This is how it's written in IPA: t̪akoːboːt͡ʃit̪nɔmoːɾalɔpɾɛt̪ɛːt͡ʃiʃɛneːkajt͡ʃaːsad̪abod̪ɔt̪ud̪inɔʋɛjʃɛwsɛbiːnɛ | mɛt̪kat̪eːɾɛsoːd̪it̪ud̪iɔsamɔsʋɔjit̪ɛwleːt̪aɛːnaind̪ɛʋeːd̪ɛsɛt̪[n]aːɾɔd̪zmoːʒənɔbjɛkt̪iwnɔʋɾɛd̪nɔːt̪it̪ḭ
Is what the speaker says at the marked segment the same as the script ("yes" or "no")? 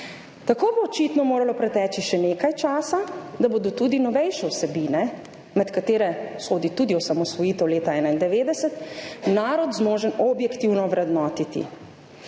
yes